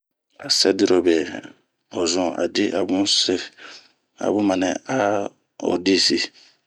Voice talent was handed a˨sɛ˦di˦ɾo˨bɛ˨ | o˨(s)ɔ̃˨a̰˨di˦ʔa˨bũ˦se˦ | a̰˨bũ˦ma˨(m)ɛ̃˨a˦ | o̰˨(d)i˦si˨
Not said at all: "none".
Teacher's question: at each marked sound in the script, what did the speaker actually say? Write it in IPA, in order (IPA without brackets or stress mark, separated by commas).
z, n, d